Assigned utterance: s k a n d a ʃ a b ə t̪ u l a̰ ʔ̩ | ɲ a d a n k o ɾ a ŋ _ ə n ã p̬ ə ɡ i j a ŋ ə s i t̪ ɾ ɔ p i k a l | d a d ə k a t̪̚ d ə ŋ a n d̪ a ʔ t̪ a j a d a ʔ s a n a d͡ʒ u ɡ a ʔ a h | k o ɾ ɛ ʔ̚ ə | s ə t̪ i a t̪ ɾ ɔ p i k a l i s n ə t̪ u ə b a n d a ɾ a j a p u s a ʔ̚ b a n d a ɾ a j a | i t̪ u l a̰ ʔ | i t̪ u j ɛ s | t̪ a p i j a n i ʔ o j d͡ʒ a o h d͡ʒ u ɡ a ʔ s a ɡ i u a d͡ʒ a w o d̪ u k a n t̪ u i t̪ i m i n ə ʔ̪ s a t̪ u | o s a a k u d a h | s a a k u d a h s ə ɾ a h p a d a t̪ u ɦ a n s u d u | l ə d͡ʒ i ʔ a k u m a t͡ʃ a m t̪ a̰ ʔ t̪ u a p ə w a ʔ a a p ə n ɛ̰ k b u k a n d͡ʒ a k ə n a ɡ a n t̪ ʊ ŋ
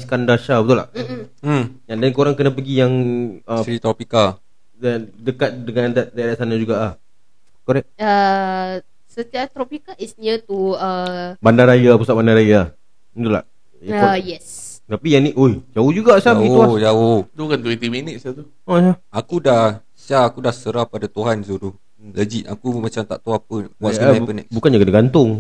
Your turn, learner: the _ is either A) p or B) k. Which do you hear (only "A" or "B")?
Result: B